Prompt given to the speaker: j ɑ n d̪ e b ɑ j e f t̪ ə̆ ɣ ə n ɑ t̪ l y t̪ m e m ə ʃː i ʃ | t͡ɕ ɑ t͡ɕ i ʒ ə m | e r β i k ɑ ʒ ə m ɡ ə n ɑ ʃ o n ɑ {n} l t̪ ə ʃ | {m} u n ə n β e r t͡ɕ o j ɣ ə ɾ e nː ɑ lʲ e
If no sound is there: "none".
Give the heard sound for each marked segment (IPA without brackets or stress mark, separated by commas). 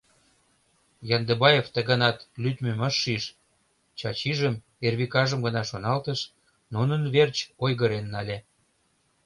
none, n